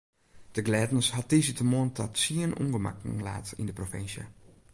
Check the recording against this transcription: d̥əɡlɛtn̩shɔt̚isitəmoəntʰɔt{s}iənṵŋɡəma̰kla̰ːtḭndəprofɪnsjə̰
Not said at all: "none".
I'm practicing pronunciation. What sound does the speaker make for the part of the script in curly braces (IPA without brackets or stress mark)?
s